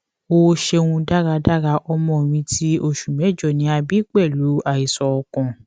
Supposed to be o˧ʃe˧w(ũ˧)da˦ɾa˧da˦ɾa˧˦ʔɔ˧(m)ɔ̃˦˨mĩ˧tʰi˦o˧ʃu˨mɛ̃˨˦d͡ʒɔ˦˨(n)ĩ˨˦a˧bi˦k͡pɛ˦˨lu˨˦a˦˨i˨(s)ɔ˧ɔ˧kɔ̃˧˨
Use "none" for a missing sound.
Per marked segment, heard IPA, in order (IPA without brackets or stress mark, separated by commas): ũ˧, m, n, s